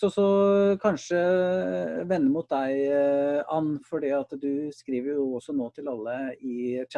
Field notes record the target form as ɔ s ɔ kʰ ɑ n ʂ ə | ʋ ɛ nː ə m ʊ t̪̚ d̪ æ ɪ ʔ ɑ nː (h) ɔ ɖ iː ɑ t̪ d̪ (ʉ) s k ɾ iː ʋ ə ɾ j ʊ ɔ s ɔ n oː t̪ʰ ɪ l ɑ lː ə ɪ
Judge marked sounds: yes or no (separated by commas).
no, yes